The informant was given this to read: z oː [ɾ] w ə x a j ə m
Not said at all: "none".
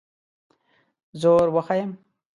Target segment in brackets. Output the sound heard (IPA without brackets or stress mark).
ɾ